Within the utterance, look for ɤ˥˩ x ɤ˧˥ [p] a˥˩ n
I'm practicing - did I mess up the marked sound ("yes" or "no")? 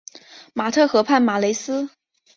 yes